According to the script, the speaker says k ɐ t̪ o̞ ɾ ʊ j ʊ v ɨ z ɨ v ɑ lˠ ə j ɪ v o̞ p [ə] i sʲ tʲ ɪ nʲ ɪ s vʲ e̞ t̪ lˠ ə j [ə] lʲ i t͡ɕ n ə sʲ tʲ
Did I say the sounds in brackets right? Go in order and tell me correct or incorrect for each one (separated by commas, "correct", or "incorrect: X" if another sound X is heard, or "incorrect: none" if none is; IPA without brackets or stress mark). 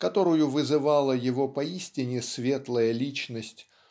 incorrect: ɐ, correct